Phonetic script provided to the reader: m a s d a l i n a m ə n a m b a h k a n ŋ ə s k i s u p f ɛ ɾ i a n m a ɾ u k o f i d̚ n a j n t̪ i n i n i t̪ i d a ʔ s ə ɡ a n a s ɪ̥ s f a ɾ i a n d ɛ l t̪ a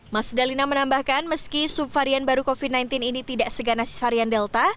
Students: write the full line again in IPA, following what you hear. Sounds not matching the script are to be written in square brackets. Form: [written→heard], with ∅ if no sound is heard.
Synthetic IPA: m a s d a l i n a m ə n a m b a h k a n [ŋ→m] ə s k i s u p f [ɛ→a] ɾ i a n [m→b] a ɾ u k o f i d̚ n a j n t̪ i n i n i t̪ i d a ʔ s ə ɡ a n a s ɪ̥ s f a ɾ i a n d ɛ l t̪ a